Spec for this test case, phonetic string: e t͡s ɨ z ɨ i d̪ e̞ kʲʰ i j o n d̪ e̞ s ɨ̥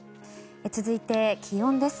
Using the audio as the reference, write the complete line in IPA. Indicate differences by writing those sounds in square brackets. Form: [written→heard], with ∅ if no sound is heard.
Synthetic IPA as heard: e t͡s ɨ z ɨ i [d̪→t̪] e̞ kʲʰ i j [o→õ] n d̪ e̞ s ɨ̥